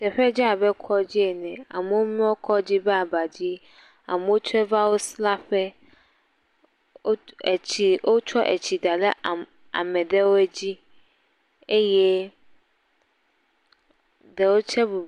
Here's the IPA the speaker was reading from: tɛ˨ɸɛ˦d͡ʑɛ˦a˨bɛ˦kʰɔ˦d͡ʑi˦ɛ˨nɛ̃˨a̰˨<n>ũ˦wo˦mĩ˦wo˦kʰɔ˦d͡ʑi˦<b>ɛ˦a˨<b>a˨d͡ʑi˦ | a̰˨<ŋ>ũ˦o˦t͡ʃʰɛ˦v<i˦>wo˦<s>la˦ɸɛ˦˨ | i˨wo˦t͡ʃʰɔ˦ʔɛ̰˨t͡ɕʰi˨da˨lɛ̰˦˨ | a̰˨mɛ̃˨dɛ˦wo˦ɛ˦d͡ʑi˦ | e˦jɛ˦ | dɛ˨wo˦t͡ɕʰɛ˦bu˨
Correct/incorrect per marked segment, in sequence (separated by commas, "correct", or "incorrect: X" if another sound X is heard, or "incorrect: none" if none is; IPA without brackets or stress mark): incorrect: m, correct, correct, incorrect: m, incorrect: a˦, correct